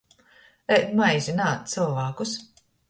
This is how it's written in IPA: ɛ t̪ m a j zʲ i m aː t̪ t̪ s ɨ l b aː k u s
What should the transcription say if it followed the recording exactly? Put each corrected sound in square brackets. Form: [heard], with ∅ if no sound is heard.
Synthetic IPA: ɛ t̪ m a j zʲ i [n] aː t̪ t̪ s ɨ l [v] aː k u s